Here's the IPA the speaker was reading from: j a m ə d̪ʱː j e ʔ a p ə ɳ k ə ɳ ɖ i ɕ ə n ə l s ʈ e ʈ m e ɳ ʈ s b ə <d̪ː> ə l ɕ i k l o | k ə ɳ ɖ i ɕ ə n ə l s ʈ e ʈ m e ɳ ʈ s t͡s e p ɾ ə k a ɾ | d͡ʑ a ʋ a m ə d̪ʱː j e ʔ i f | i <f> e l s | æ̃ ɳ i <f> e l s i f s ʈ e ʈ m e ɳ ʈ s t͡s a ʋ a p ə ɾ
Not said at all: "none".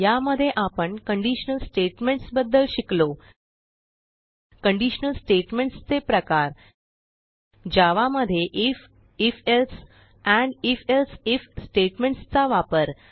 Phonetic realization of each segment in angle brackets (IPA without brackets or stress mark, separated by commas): d̪ː, f, f